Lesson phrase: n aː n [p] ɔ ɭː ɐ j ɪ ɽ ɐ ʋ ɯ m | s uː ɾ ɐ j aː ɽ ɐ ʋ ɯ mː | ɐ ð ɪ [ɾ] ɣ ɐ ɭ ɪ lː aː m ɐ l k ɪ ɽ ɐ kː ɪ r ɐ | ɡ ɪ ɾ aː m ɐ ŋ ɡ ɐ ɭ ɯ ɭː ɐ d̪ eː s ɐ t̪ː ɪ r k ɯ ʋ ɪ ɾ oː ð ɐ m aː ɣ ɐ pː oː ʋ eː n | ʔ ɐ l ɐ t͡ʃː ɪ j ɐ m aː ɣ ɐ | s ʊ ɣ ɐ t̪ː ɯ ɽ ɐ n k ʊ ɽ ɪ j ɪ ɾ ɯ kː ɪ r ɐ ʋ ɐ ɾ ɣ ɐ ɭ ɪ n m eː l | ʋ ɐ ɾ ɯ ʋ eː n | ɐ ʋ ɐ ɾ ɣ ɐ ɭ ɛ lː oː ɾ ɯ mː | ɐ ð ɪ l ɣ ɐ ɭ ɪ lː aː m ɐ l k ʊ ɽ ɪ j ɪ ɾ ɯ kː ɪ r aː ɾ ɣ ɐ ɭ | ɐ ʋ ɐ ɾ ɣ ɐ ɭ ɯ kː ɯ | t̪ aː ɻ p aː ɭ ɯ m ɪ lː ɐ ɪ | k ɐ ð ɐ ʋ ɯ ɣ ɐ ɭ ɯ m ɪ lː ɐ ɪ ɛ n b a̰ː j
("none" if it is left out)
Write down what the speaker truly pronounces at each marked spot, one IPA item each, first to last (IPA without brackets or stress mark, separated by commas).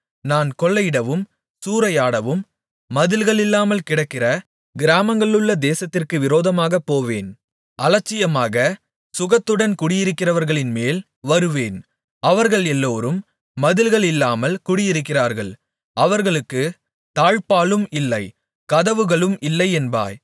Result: k, l